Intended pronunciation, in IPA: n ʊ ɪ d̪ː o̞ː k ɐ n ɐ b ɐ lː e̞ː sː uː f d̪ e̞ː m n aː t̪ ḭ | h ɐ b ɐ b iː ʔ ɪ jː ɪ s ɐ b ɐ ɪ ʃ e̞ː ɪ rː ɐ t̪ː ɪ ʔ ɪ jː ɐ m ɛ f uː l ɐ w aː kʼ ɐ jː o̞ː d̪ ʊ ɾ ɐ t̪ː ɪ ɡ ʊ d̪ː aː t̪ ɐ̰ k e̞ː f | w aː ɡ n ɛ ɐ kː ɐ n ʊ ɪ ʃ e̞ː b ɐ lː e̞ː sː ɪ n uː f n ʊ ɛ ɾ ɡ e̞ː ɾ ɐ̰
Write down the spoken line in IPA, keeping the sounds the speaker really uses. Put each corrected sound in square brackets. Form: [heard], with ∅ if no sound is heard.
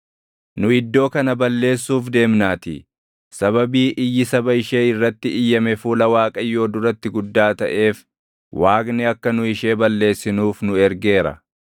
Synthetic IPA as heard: n ʊ ɪ d̪ː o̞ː k ɐ n ɐ b ɐ lː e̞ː sː uː f d̪ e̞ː m n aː t̪ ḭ | [s] ɐ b ɐ b iː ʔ ɪ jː ɪ s ɐ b ɐ ɪ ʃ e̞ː ɪ rː ɐ t̪ː ɪ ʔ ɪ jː ɐ m ɛ f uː l ɐ w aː kʼ ɐ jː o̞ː d̪ ʊ ɾ ɐ t̪ː ɪ ɡ ʊ d̪ː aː t̪ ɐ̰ [ʔ] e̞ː f | w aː ɡ n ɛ ɐ kː ɐ n ʊ ɪ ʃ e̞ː b ɐ lː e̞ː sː ɪ n uː f n ʊ ɛ ɾ ɡ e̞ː ɾ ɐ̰